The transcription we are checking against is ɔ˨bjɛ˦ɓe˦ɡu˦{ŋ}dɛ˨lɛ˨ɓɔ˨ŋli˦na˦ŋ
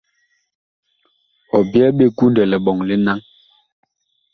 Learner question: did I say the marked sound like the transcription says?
no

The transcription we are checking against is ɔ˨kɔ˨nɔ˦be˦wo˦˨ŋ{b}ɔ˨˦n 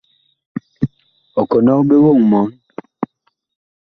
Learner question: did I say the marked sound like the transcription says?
no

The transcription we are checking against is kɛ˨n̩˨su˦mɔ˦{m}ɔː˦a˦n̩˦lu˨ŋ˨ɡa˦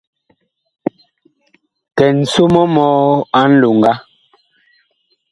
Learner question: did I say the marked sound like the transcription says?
yes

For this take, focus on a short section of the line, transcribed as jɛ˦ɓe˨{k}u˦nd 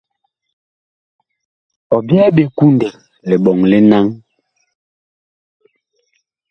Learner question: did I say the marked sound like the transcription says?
yes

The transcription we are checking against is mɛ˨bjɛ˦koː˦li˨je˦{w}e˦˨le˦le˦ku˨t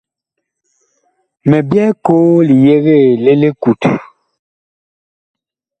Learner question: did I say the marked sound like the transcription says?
no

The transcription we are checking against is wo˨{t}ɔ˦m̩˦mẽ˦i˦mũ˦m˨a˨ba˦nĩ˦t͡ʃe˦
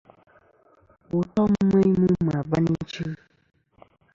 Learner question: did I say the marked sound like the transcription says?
yes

